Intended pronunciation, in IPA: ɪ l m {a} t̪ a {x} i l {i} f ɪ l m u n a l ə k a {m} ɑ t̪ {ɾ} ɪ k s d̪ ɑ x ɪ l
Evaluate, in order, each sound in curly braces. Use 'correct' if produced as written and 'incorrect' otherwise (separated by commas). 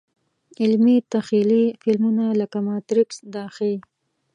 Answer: incorrect, correct, correct, correct, correct